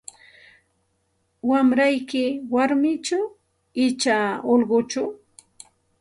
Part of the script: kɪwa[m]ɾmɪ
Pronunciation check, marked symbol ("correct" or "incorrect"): incorrect